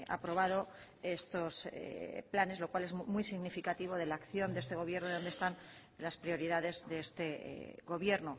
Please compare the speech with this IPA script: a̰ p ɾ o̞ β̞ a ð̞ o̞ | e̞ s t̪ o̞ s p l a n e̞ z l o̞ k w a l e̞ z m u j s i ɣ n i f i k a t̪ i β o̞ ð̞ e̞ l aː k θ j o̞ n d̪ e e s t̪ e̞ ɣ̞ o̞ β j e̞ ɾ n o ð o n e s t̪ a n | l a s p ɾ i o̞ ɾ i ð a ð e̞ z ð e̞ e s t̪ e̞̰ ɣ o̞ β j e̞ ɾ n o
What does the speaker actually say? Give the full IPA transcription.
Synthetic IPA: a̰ p ɾ o̞ β̞ a ð̞ o̞ | e̞ s t̪ o̞ s p l a n e̞ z l o̞ k w a l e̞ z m u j s i ɣ n i f i k a t̪ i β o̞ ð̞ e̞ l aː k θ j o̞ n d̪ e e s t̪ e̞ ɣ̞ o̞ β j e̞ ɾ n o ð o n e s t̪ a n | l a s p ɾ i o̞ ɾ i ð a ð e̞ z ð e̞ e s t̪ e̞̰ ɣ o̞ β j e̞ ɾ n o